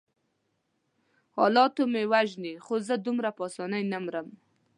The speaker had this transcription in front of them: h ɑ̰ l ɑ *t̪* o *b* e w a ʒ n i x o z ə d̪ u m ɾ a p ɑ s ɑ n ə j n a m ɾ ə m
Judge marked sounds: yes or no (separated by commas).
yes, no